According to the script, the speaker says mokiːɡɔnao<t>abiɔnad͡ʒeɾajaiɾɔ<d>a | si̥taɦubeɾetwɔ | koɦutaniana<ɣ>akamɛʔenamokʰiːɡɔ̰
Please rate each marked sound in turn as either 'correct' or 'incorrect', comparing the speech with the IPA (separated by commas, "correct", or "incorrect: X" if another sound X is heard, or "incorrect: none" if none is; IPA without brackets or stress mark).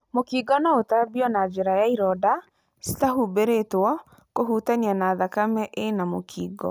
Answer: correct, correct, incorrect: ð